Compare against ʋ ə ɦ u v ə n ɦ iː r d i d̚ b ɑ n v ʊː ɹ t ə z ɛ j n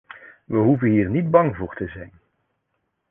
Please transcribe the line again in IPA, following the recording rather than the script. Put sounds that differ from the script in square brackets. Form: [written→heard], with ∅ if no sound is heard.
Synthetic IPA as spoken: ʋ ə ɦ u v ə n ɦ iː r [d→n] i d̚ b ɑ [n→ŋ] v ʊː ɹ t ə z ɛ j n